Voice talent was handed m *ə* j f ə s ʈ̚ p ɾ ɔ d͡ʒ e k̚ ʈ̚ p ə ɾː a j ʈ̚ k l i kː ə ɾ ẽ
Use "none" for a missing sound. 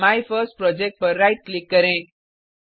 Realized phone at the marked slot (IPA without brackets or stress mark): a